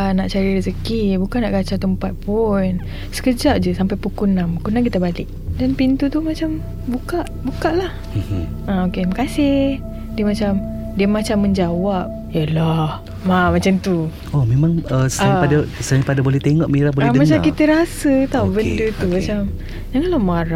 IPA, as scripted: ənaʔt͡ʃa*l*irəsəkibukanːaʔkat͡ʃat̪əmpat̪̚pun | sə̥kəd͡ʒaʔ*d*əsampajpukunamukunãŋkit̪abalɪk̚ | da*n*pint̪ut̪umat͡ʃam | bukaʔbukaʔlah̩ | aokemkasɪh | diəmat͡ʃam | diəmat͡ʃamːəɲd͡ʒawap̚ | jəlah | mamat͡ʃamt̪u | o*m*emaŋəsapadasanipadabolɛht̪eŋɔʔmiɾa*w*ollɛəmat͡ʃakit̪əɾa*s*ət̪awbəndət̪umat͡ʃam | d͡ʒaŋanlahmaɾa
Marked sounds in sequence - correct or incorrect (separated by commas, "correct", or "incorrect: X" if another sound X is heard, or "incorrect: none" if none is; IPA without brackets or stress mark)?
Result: incorrect: ɾ, incorrect: d͡ʒ, correct, correct, incorrect: b, correct